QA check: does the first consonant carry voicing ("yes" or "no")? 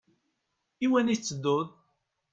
yes